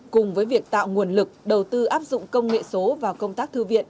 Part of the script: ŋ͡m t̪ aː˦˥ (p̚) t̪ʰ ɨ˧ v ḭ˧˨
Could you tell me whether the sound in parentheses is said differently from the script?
yes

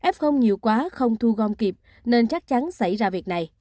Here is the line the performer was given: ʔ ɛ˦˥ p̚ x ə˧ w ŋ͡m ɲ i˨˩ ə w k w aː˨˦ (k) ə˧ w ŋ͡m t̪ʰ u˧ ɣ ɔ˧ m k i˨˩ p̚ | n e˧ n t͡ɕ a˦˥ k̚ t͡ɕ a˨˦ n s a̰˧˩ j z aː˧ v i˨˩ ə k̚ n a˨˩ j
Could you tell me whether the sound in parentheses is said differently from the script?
yes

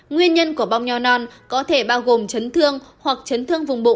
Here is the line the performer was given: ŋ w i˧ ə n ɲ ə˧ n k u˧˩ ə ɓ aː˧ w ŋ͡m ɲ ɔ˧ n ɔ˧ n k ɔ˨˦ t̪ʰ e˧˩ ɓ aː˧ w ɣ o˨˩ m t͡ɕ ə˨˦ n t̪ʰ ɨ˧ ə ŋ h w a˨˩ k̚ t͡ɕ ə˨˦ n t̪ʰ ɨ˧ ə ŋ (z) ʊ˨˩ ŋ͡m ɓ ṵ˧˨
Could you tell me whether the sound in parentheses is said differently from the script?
yes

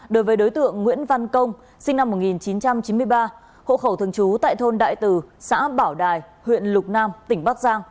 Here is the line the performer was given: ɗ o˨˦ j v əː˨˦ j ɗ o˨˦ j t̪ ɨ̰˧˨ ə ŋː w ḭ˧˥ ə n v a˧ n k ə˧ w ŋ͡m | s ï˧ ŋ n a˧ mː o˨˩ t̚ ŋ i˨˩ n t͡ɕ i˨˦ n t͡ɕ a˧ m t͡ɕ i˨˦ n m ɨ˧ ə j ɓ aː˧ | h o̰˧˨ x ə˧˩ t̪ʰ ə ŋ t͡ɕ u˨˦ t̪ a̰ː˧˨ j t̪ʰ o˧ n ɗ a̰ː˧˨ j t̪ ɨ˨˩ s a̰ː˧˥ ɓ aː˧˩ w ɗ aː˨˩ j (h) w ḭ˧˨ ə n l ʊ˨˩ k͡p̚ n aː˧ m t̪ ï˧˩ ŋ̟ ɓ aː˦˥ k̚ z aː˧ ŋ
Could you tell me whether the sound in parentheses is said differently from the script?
no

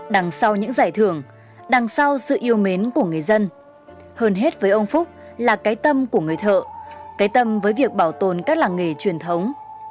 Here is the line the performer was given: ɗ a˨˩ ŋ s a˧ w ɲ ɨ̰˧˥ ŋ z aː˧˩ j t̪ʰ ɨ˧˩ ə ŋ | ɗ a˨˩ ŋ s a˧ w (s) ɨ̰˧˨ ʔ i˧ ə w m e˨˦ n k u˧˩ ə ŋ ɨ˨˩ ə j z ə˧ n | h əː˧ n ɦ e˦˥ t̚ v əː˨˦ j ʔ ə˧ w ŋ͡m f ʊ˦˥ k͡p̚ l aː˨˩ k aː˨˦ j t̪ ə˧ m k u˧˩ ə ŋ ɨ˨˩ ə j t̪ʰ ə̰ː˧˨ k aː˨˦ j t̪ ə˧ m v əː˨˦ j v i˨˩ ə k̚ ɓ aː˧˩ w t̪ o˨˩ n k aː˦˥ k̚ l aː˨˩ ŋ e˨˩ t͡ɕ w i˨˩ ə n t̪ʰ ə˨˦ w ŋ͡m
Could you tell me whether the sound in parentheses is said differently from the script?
no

